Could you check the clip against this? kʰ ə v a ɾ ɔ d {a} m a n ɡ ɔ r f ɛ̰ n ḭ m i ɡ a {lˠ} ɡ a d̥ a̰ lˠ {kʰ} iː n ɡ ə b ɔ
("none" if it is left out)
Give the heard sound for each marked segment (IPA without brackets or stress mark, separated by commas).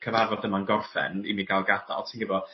ə, lˠ, tʰ